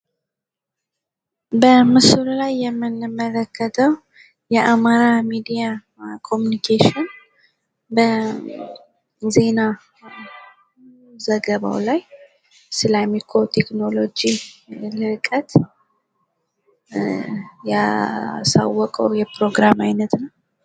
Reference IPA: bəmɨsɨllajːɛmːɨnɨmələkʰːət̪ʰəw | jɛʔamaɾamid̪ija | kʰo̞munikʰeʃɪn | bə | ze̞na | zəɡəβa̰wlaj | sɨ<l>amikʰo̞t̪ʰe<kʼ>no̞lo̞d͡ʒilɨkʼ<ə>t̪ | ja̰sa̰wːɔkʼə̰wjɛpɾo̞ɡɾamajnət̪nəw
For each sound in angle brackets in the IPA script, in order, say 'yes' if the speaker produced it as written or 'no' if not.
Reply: yes, no, yes

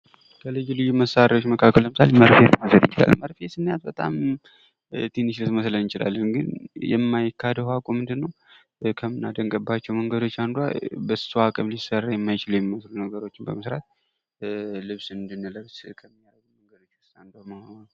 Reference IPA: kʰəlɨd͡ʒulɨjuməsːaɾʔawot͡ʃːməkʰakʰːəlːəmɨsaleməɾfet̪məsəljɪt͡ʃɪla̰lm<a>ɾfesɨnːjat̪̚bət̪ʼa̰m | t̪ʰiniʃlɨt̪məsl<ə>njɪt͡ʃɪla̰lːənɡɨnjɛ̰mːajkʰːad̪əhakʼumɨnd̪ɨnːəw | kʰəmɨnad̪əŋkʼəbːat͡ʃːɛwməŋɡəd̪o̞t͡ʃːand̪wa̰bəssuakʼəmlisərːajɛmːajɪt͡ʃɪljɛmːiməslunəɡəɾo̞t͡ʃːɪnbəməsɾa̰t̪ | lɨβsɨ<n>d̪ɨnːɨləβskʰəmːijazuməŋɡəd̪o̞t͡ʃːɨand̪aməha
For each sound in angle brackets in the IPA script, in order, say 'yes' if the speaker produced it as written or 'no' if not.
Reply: no, yes, yes

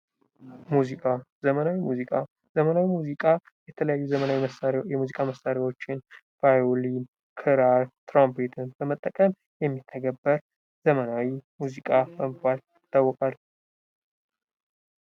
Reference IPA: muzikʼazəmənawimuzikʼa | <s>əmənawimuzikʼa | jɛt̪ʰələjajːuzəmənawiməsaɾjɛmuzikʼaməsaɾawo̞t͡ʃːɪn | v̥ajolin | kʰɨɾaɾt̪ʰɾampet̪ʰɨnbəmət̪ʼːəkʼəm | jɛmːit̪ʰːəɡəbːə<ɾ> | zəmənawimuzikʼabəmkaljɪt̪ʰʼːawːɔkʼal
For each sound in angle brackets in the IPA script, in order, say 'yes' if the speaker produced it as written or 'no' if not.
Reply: no, yes

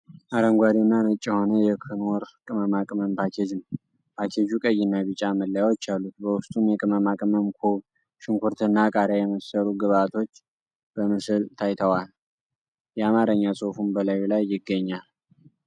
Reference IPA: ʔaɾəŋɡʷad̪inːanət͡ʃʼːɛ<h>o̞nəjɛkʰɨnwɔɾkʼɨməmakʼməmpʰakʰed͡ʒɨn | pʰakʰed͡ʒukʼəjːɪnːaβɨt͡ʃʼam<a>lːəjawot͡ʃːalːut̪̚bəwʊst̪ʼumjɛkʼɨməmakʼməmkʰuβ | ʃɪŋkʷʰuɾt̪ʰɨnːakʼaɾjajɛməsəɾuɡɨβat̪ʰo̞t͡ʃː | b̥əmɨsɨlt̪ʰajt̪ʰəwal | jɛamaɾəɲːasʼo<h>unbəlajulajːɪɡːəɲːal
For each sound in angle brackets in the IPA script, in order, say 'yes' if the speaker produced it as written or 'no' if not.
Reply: yes, no, no

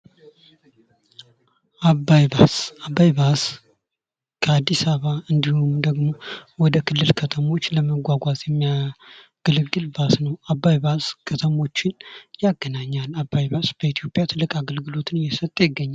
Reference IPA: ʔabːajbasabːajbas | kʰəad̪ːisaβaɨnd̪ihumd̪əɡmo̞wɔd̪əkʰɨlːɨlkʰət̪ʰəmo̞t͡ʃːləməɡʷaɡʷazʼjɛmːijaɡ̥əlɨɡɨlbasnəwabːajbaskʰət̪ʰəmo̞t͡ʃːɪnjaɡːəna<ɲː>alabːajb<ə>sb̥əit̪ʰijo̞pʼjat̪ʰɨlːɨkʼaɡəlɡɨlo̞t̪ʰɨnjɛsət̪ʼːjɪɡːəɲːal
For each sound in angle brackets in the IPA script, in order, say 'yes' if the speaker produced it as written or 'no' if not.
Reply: yes, no

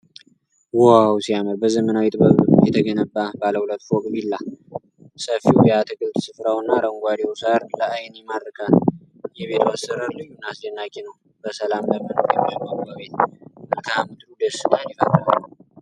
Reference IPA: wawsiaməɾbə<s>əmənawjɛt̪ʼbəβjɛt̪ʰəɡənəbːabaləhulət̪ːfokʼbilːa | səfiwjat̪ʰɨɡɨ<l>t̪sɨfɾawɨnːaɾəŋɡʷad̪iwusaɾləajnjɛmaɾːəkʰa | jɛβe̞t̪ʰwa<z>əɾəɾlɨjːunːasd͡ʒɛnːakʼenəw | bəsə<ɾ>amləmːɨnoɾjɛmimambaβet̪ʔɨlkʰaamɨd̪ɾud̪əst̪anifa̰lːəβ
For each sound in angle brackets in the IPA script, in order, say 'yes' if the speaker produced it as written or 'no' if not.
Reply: no, yes, no, no

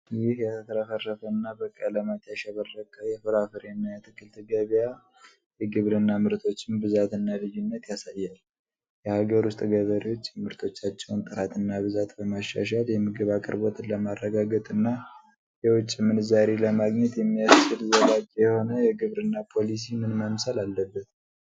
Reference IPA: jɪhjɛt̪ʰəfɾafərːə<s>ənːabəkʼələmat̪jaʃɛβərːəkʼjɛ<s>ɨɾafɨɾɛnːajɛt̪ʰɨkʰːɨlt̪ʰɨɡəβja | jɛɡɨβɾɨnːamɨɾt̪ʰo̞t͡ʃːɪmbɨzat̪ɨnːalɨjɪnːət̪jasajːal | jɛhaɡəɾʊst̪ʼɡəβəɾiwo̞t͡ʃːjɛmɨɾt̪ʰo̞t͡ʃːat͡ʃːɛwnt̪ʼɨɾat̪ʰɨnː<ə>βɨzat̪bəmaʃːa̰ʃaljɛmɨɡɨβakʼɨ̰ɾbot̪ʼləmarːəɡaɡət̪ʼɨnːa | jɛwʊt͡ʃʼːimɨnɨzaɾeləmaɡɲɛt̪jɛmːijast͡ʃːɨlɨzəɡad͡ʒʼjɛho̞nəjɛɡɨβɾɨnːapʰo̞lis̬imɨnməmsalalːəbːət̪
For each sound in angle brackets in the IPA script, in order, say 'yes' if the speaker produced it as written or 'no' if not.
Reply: no, no, no

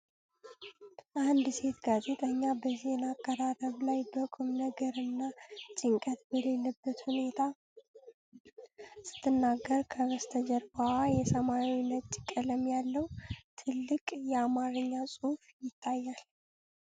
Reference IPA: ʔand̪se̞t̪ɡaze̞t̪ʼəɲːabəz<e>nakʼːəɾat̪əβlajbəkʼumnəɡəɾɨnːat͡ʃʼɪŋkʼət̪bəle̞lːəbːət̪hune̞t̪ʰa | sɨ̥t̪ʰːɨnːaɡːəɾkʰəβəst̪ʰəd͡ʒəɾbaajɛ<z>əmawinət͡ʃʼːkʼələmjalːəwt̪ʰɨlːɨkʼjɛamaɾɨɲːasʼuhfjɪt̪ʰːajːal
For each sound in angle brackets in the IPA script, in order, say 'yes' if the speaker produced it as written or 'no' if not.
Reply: yes, no

